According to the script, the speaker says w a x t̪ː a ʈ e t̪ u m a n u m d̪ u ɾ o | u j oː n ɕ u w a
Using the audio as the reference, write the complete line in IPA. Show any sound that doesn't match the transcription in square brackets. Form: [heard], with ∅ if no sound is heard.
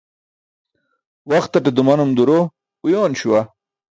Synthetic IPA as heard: w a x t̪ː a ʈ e [d̪] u m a n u m d̪ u ɾ o | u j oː n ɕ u w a